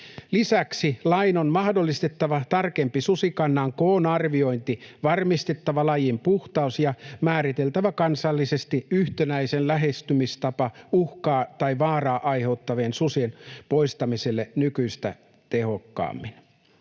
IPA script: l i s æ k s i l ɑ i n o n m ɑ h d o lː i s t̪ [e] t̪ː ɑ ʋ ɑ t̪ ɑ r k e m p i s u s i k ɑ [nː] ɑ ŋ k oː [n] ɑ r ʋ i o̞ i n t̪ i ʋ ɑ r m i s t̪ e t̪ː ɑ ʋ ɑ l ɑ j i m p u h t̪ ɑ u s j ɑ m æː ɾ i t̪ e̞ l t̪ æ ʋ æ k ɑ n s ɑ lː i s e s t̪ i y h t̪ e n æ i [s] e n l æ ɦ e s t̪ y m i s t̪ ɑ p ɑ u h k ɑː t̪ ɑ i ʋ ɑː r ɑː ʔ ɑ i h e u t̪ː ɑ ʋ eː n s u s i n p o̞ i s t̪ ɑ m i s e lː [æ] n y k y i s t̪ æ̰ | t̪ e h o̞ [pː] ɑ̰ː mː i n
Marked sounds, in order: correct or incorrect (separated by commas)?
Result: correct, correct, correct, correct, incorrect, incorrect